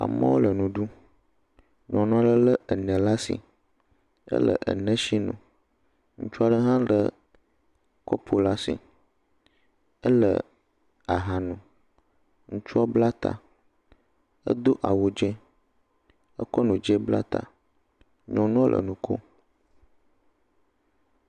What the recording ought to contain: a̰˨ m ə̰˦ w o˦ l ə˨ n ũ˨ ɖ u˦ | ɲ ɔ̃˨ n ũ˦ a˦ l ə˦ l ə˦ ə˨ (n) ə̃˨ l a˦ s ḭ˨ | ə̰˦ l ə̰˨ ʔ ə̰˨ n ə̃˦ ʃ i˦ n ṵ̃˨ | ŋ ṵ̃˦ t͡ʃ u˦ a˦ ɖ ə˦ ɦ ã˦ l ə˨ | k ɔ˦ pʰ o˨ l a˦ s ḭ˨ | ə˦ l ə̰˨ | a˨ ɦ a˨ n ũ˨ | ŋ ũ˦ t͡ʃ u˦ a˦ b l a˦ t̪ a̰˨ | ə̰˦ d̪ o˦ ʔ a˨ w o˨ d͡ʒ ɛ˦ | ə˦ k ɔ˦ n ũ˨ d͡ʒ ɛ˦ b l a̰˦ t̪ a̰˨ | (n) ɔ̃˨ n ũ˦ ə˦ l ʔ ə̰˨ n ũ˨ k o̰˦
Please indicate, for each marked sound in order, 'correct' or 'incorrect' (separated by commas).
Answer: correct, incorrect